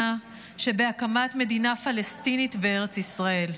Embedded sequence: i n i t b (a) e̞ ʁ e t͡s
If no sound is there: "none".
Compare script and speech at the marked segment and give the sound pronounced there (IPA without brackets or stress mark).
e